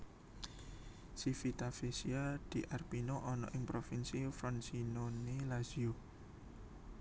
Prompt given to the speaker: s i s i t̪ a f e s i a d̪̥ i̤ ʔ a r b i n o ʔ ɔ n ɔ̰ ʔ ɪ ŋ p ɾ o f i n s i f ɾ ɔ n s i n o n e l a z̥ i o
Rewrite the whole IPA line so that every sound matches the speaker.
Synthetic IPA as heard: s i f i t̪ a f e s i a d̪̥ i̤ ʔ a r p i n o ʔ ɔ n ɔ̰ ʔ ɪ ŋ p ɾ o f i n s i f ɾ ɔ n s i n o n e l a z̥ i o